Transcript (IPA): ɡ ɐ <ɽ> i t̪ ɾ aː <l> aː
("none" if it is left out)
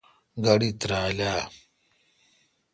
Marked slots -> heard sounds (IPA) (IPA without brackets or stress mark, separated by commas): ɽ, l